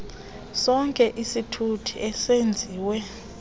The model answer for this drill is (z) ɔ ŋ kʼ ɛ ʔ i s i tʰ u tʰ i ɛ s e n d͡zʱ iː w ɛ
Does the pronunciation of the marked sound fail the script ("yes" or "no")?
yes